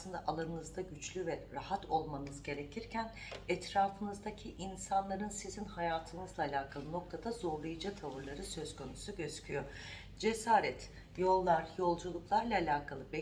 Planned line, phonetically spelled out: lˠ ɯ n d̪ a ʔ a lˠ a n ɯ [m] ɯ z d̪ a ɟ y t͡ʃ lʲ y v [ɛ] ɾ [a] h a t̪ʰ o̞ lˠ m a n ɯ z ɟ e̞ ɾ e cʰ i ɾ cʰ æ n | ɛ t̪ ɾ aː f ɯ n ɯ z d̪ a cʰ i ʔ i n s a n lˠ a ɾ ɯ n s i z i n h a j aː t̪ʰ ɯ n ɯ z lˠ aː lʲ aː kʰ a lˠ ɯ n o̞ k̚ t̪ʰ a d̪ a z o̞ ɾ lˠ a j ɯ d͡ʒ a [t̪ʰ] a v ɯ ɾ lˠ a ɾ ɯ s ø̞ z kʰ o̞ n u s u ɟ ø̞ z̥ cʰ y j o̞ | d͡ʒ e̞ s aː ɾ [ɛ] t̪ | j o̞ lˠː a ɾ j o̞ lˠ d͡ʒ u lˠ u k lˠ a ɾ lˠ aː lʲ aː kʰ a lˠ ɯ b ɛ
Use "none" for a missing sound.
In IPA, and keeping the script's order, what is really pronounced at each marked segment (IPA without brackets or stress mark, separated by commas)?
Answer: n, ɛ, a, t̪ʰ, ɛ